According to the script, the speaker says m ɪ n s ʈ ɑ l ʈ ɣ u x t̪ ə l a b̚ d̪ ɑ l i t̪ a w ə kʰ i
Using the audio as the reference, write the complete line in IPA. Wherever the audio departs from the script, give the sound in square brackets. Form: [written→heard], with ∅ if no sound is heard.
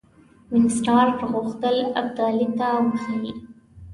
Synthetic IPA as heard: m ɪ n s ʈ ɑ [l→ɾ] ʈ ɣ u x t̪ ə l a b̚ d̪ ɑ l i t̪ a w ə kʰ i